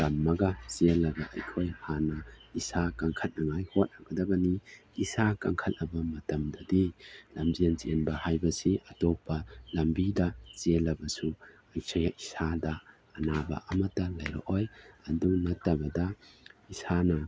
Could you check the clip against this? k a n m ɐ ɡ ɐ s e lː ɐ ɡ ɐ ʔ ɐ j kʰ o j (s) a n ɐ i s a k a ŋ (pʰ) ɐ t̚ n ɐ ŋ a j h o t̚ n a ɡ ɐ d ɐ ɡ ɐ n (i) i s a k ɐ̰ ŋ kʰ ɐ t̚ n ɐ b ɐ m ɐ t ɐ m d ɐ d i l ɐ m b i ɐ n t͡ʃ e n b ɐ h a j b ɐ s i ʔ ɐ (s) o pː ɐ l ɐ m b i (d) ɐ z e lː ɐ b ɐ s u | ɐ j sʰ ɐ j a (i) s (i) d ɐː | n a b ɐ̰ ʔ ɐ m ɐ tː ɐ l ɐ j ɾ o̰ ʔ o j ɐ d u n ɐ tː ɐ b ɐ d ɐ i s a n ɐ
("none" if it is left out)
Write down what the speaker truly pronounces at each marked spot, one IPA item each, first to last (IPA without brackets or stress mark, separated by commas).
h, kʰ, i, t, d, i, a